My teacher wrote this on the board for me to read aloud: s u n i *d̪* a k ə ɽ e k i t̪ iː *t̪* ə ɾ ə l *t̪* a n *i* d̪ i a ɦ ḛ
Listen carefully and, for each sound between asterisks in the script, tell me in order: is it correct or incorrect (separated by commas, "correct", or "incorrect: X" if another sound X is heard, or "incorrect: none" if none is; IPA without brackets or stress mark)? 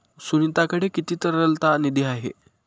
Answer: incorrect: t̪, correct, correct, correct